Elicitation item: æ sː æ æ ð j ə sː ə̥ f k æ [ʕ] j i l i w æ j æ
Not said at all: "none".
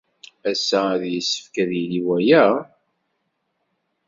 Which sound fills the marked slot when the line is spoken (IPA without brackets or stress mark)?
ð